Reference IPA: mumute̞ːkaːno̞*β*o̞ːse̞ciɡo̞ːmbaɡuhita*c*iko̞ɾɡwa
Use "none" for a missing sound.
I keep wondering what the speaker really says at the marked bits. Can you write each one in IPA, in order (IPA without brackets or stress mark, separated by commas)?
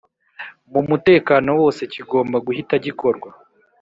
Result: w, ɟ